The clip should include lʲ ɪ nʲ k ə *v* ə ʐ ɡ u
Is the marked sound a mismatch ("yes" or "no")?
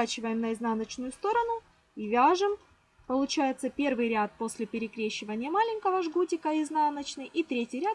no